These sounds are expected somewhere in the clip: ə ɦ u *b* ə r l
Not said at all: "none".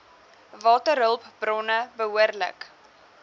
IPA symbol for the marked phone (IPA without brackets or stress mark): none